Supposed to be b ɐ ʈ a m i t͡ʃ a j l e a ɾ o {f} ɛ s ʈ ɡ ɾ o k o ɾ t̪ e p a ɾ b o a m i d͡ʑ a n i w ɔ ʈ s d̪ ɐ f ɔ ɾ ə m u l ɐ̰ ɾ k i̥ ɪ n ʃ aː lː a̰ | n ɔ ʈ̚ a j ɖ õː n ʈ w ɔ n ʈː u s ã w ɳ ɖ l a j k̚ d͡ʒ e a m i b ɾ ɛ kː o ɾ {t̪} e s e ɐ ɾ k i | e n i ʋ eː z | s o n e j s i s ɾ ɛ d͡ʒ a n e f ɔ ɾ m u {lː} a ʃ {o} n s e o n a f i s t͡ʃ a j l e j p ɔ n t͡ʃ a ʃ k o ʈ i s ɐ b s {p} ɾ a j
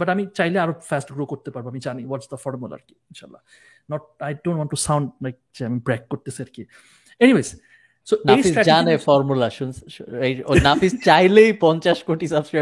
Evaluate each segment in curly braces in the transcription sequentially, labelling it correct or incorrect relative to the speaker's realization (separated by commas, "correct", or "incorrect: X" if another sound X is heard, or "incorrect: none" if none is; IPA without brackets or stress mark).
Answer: correct, correct, incorrect: l, incorrect: u, incorrect: k